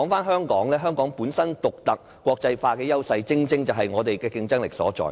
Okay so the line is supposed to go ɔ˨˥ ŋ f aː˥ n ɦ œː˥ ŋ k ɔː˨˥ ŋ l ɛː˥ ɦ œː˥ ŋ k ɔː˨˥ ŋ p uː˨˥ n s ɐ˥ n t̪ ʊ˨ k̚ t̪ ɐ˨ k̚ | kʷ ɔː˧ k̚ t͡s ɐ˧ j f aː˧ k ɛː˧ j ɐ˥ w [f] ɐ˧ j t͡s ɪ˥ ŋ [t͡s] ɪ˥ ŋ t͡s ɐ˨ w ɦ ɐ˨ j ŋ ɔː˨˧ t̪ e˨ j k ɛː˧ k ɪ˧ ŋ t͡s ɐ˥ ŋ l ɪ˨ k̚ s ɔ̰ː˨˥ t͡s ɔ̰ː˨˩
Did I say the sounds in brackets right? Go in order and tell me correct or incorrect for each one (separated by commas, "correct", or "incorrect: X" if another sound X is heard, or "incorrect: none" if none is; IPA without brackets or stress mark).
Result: incorrect: s, correct